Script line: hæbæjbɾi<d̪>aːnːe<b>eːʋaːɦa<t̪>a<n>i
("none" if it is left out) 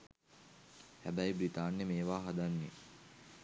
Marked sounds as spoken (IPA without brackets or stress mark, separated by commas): t̪, m, d̪, nː